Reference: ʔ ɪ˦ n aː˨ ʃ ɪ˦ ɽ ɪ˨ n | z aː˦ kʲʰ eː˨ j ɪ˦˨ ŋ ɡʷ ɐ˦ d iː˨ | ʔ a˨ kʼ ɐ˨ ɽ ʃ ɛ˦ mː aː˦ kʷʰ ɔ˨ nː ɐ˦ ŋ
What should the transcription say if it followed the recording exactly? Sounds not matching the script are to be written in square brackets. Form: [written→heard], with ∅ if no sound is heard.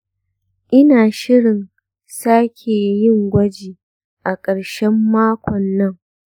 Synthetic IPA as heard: ʔ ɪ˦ n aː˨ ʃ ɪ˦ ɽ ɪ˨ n | [z→s] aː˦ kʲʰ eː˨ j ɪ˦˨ ŋ ɡʷ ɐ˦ [d→d͡ʒ] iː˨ | ʔ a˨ kʼ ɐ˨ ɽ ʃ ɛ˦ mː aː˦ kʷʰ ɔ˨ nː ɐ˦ ŋ